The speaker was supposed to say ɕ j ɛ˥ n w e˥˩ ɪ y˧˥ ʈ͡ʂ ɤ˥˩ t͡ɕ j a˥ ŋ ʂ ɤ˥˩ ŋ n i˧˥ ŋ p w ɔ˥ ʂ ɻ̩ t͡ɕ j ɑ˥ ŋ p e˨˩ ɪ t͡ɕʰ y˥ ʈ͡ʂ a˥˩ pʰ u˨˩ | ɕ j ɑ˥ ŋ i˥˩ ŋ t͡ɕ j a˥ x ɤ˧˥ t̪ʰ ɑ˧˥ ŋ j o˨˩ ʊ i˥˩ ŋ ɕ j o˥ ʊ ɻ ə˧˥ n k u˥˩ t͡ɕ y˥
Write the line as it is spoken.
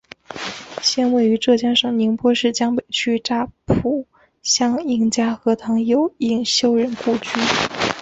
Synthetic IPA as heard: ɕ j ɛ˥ n w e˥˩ ɪ y˧˥ ʈ͡ʂ ɤ˥˩ t͡ɕ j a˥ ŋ ʂ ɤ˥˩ ŋ n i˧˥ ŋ p w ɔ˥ ʂ ɻ̩ t͡ɕ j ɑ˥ ŋ p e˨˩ ɪ t͡ɕʰ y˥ ʈ͡ʂ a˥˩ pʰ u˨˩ | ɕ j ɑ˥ ŋ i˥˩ ŋ t͡ɕ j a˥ x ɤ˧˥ t̪ʰ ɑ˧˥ ŋ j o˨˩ ʊ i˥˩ ŋ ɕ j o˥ ʊ ɻ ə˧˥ n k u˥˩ t͡ɕ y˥